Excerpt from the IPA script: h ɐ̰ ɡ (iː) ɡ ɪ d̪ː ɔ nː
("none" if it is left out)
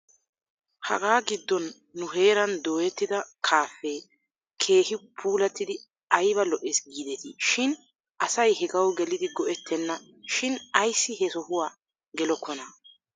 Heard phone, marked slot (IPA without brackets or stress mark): aː